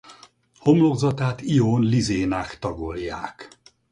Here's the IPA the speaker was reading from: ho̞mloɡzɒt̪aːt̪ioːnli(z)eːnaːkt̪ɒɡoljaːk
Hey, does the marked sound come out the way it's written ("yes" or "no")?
yes